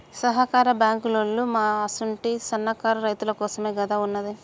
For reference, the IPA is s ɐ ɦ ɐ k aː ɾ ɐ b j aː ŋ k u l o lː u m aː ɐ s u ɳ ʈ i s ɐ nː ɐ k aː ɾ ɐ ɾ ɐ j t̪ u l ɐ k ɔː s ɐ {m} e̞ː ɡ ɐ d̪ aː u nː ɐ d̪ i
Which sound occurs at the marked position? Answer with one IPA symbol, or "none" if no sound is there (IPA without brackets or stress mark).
m